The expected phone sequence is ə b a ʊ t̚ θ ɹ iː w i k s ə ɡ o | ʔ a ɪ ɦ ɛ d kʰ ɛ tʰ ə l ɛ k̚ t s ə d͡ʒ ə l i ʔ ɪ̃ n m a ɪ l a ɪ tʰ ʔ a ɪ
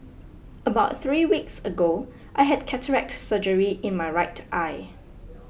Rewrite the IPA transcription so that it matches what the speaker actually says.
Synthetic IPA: ə b a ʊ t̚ θ ɹ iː w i k s ə ɡ o | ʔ a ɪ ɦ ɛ d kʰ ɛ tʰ ə ɹ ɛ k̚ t s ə d͡ʒ ə ɹ i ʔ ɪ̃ n m a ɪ ɹ a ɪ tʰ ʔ a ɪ